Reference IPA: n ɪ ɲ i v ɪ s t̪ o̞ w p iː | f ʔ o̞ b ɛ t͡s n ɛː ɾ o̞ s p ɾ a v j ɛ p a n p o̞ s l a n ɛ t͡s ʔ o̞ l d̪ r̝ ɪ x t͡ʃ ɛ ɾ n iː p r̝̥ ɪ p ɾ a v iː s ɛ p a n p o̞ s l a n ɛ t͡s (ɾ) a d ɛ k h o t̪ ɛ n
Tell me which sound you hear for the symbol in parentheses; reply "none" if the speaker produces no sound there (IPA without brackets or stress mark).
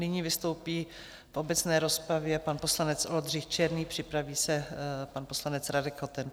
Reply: ɾ